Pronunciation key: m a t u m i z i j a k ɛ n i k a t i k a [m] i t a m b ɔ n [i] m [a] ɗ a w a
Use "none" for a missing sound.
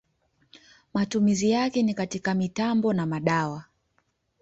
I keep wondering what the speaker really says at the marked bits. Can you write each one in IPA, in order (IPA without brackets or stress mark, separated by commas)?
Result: m, a, a